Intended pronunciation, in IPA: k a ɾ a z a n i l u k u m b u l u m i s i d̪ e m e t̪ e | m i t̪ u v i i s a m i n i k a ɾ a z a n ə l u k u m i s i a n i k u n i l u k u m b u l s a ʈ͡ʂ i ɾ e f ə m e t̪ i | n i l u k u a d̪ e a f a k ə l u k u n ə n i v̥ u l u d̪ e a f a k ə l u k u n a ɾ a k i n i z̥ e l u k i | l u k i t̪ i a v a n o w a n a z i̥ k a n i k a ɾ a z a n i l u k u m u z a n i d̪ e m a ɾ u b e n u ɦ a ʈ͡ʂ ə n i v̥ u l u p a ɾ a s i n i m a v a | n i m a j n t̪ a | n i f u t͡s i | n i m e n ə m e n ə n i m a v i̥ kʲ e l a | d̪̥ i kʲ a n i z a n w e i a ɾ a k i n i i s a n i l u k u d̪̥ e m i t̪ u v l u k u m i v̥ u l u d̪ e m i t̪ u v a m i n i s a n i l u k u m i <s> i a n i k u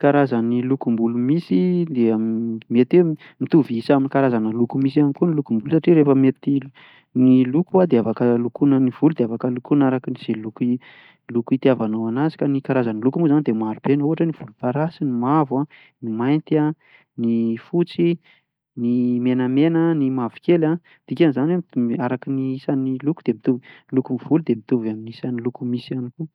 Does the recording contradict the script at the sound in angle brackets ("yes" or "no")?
no